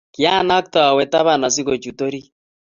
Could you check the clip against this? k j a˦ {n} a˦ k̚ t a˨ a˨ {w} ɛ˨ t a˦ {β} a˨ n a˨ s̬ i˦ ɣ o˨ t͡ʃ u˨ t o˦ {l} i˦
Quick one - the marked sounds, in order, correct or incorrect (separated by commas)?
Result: correct, correct, correct, incorrect